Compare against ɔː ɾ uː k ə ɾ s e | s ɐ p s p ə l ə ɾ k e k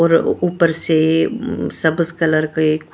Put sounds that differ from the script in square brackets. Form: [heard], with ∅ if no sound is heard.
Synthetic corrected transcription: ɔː ɾ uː [p] ə ɾ s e | s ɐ [b] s [k] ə l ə ɾ k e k